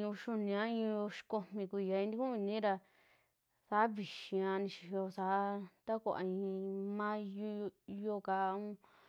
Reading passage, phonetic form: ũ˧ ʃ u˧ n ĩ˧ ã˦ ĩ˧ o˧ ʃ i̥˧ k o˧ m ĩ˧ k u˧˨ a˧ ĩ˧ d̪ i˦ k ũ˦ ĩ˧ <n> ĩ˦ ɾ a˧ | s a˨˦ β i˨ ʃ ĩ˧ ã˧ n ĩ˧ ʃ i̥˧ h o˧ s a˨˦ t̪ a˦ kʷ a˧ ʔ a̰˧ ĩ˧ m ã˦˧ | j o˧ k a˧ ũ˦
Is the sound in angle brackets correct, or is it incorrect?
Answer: correct